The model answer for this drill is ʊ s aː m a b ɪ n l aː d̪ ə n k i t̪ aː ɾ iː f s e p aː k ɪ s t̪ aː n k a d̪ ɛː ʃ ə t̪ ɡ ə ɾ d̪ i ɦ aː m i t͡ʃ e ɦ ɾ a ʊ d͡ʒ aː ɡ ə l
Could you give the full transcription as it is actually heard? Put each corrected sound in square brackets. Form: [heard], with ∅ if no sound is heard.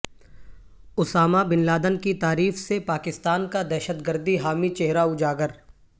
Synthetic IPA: ʊ s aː m a b ɪ n l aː d̪ ə n k i t̪ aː ɾ iː f s e p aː k ɪ s t̪ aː n k a d̪ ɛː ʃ ə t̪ ɡ ə ɾ d̪ i ɦ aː m i t͡ʃ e ɦ ɾ a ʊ d͡ʒ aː ɡ ə [ɾ]